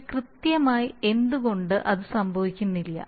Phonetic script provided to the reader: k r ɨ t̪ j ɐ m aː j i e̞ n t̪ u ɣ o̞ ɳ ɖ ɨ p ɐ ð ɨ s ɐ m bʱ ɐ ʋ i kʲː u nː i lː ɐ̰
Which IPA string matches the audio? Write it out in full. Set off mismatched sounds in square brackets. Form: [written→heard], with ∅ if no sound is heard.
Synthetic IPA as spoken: k r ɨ t̪ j ɐ m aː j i e̞ n [t̪→d̪] u ɣ o̞ ɳ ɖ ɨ [p→ʔ] ɐ ð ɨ s ɐ m bʱ ɐ ʋ i kʲː u nː i lː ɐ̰